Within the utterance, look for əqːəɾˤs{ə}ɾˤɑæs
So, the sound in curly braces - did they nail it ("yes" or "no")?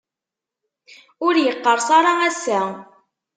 no